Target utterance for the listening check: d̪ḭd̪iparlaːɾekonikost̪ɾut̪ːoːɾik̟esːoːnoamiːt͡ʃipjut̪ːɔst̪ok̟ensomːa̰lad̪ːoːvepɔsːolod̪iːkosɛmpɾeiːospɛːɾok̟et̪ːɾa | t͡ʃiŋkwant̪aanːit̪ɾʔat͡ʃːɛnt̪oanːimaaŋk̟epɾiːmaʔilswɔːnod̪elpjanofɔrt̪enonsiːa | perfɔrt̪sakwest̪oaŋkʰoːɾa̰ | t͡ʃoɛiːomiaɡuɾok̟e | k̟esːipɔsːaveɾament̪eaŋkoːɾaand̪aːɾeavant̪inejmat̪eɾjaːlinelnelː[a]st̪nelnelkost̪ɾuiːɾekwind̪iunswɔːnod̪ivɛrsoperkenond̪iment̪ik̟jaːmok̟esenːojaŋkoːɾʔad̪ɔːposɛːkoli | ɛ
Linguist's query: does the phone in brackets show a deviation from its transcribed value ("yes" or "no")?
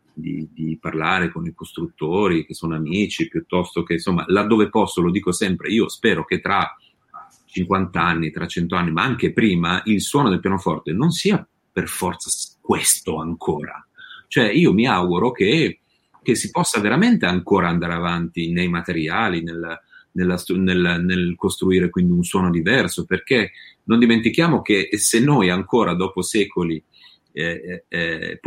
no